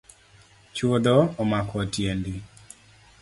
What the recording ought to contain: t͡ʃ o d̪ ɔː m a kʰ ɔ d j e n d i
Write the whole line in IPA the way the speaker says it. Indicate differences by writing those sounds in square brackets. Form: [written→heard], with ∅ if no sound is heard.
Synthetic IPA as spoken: t͡ʃ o d̪ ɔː m a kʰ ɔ [d→t] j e n d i

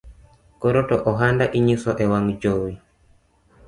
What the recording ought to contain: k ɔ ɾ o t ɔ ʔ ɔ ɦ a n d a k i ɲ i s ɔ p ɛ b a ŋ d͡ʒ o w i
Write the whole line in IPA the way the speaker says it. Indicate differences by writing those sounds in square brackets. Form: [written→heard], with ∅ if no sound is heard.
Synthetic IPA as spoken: k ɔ ɾ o t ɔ ʔ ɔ ɦ a n d a [k→ʔ] i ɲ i s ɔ [p→ʔ] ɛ [b→w] a ŋ d͡ʒ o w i

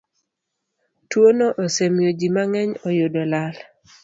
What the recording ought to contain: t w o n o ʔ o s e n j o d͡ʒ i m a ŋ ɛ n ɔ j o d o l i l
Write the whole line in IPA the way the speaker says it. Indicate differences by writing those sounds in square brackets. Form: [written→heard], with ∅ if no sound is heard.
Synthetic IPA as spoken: t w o n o ʔ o s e [n→m] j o d͡ʒ i m a ŋ ɛ [n→ɲ] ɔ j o d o l [i→a] l

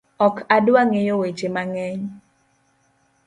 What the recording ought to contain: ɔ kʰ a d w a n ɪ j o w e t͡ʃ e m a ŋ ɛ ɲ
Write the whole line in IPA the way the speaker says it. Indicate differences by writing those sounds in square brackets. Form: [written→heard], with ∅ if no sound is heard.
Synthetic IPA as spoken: ɔ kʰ a d w a [n→ŋ] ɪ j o w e t͡ʃ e m a ŋ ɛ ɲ

